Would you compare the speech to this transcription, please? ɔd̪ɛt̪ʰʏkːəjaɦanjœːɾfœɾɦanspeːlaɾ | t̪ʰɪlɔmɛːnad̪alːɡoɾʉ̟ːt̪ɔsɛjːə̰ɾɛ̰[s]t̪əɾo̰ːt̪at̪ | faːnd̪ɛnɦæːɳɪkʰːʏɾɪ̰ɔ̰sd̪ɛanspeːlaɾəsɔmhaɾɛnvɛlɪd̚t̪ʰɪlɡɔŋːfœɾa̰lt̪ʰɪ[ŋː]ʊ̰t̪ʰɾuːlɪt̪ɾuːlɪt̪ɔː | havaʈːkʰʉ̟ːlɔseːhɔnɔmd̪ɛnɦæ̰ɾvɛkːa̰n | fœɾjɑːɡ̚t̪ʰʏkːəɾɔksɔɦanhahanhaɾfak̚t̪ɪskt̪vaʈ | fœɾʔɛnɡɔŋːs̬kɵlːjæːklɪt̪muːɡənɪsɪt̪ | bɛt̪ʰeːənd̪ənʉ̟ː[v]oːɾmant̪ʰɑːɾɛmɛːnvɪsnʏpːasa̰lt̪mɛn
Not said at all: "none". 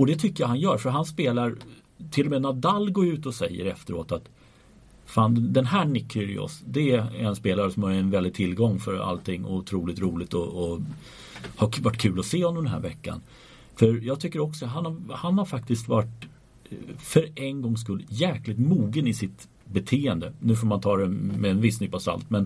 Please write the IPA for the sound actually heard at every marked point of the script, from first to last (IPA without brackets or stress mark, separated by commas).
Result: f, ŋː, f